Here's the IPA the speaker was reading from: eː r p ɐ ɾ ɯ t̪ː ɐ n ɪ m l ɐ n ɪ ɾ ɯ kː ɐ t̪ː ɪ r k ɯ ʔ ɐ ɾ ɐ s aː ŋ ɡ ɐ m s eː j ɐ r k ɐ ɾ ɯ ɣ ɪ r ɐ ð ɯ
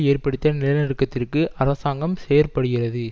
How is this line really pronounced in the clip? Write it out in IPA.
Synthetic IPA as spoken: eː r p ɐ ɽ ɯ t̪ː ɐ n ɪ l ɐ n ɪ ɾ ɯ kː ɐ t̪ː ɪ r k ɯ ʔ ɐ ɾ ɐ s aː ŋ ɡ ɐ m s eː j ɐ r p ɐ ɽ ɯ ɣ ɪ r ɐ ð ɯ